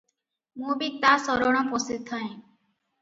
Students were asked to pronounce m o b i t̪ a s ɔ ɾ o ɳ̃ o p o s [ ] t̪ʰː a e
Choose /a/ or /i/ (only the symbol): i